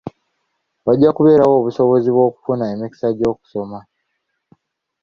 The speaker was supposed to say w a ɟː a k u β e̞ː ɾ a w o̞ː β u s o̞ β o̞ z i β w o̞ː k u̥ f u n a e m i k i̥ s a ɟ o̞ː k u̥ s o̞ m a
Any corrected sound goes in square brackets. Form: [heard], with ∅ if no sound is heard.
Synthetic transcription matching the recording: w a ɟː a k u β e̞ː ɾ a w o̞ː β u s o̞ β o̞ z i β w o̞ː k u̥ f u n a e m i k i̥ s a ɟ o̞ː k u̥ s o̞ m a